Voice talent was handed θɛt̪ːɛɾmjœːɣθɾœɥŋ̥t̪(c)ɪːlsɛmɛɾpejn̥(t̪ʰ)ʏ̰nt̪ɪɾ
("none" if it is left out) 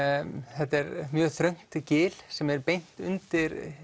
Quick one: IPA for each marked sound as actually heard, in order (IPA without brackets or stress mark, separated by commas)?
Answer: c, t̪